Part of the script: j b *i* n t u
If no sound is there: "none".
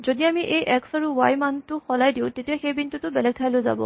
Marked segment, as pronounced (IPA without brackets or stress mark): i